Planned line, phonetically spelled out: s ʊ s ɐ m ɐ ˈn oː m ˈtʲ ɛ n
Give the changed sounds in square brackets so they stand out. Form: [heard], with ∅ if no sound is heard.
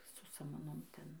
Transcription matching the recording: s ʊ s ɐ m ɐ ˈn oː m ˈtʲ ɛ n